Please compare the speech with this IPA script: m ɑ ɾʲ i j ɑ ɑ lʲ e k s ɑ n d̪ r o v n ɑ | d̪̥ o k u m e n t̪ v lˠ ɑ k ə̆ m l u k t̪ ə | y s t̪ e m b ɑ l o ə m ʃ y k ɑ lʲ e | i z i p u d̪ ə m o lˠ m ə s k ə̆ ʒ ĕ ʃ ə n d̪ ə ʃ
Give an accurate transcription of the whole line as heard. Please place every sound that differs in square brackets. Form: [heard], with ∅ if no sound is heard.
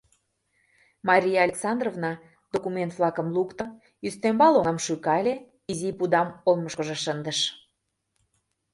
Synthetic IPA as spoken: m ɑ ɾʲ i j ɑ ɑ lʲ e k s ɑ n d̪ r o v n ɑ | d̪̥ o k u m e n t̪ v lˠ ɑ k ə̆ m l u k t̪ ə | y s t̪ e m b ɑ l o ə m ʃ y k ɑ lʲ e | i z i p u d̪ [ɑ] m o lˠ m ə [ʃ] k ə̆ ʒ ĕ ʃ ə n d̪ ə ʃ